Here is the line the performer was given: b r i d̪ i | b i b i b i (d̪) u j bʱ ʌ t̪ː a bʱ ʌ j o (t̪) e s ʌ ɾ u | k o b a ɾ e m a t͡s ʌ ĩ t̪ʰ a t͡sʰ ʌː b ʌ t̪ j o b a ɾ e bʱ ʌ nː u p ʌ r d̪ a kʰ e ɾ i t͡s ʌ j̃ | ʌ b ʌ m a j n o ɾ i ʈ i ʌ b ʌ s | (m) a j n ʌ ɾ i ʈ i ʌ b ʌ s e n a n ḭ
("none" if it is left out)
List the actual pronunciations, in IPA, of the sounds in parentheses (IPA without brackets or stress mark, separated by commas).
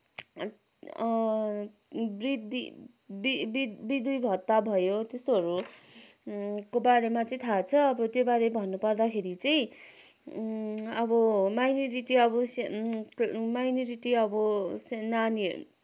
d̪, t̪, m